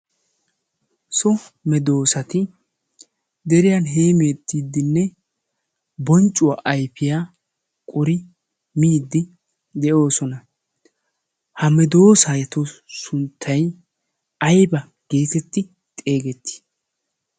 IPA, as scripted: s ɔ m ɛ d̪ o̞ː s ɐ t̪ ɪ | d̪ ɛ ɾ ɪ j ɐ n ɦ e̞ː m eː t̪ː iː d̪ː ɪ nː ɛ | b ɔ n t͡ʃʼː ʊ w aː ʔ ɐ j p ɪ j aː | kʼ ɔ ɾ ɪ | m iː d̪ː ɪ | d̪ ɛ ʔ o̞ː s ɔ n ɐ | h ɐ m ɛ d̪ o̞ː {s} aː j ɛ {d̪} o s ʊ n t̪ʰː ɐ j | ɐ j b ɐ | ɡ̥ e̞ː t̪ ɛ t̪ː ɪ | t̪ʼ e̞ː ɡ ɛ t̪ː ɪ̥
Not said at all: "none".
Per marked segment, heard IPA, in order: s, t̪

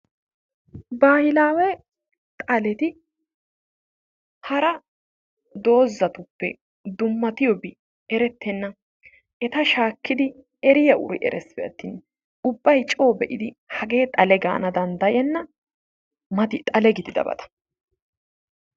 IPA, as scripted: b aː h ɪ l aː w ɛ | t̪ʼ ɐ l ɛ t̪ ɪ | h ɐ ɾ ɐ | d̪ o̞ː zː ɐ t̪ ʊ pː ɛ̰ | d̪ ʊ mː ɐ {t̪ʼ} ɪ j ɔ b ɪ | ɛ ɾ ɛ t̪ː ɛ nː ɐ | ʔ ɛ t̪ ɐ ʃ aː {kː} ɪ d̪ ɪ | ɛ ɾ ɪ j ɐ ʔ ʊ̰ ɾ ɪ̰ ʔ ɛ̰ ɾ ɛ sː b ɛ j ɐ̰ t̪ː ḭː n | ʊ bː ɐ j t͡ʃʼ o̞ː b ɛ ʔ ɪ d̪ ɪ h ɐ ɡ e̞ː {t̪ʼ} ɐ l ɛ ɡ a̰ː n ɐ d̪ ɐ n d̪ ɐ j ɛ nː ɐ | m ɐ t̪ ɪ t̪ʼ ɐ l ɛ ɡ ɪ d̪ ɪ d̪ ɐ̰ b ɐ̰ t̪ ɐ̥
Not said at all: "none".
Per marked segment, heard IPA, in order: t̪, kː, t̪ʼ

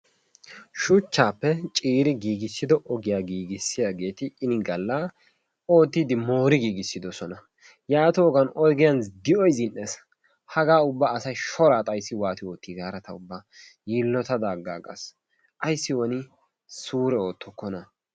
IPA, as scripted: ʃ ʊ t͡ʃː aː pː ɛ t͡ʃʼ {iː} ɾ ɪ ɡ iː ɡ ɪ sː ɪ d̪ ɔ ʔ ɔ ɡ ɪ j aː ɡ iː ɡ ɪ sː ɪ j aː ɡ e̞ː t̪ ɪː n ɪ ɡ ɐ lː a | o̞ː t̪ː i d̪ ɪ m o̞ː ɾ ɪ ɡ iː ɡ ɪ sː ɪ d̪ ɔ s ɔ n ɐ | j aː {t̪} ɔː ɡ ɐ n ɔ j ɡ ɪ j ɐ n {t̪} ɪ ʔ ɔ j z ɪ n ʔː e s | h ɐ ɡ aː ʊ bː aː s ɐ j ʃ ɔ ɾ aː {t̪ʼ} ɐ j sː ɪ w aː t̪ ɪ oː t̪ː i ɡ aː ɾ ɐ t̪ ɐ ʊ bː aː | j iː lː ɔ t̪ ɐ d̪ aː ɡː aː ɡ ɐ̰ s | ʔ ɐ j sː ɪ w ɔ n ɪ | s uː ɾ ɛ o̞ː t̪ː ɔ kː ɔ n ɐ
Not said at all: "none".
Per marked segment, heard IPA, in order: iː, t̪, d̪, t̪ʼ

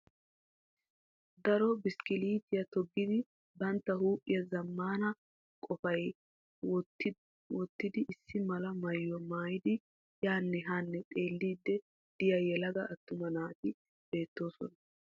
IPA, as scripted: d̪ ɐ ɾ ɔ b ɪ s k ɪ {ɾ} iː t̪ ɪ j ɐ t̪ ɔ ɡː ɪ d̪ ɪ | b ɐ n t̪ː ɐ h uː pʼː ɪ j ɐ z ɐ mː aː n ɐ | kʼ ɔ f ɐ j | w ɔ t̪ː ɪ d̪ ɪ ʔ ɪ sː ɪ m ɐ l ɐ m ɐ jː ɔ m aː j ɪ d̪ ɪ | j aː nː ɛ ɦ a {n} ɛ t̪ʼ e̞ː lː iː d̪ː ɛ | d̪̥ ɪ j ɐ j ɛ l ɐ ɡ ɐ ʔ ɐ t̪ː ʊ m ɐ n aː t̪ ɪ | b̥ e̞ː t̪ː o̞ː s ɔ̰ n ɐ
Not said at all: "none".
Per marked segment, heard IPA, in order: l, nː

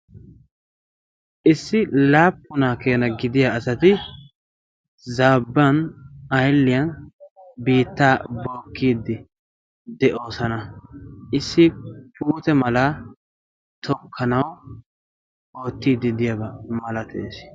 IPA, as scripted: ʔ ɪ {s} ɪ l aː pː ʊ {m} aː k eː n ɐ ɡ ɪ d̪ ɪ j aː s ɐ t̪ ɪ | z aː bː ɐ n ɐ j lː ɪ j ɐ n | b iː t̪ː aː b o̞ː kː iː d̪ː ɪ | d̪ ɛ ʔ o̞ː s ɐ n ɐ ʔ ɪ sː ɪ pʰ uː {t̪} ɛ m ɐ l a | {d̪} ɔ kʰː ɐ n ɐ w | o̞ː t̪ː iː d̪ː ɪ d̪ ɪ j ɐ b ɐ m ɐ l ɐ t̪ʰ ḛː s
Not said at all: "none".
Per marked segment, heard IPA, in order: sː, n, t̪, t̪

